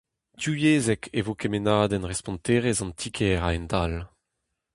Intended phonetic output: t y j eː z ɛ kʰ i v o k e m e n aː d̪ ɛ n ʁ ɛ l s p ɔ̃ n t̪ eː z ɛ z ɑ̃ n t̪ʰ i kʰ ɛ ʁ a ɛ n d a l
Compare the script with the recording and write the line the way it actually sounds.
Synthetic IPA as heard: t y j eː z ɛ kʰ e v o k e m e n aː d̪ ɛ n ʁ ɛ s p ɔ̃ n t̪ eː ʁ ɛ z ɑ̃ n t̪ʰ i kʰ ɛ ʁ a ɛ n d a l